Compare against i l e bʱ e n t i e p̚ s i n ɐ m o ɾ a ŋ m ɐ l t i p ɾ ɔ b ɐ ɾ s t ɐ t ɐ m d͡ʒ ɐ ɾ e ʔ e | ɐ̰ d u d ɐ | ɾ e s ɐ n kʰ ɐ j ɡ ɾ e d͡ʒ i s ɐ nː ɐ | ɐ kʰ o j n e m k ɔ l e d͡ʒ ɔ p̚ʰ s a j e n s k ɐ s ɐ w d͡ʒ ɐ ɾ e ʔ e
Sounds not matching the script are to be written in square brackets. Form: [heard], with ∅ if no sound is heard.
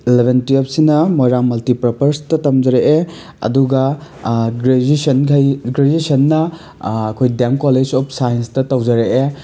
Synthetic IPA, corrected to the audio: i l e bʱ e n t i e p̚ s i n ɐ m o ɾ a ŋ m ɐ l t i p ɾ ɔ [p] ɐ ɾ s t ɐ t ɐ m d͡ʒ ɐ ɾ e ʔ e | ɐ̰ d u [ɡ] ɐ | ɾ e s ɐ n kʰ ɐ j ɡ ɾ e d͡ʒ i s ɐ nː ɐ | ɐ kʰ o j [d] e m k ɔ l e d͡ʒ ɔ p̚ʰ s a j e n s [t] ɐ [t] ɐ w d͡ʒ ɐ ɾ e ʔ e